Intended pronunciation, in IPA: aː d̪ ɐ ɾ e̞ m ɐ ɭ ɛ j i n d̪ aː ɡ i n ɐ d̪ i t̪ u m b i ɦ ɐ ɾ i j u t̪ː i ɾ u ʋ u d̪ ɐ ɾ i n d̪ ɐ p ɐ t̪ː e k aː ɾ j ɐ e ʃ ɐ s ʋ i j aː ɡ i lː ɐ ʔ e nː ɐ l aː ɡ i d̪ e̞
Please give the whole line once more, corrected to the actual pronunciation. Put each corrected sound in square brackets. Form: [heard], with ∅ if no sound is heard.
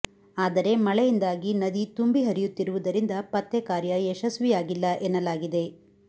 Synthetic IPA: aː d̪ ɐ ɾ e̞ m ɐ ɭ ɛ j i n d̪ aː ɡ i n ɐ d̪ i t̪ u m b i ɦ ɐ ɾ i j u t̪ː i ɾ u ʋ u d̪ ɐ ɾ i n d̪ ɐ p ɐ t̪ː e k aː ɾ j ɐ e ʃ ɐ s ʋ i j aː ɡ i lː ɐ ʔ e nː ɐ l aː ɡ i d̪ e̞

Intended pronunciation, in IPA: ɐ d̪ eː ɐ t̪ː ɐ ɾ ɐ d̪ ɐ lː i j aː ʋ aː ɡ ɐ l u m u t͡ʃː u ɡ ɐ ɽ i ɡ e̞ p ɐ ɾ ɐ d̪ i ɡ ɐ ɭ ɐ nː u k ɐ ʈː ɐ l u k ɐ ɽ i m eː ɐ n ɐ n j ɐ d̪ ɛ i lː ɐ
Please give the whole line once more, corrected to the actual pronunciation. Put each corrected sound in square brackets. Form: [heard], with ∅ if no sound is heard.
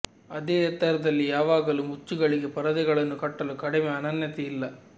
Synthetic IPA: ɐ d̪ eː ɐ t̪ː ɐ ɾ ɐ d̪ ɐ lː i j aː ʋ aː ɡ ɐ l u m u t͡ʃː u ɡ ɐ [ɭ] i ɡ e̞ p ɐ ɾ ɐ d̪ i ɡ ɐ ɭ ɐ nː u k ɐ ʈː ɐ l u k ɐ ɽ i m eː ɐ n ɐ n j ɐ [t̪] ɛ i lː ɐ

